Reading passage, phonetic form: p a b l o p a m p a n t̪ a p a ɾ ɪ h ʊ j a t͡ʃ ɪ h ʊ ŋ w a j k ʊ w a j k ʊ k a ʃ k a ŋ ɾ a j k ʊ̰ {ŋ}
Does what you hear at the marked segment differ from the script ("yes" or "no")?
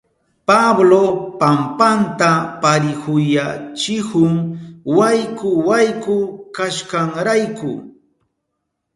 yes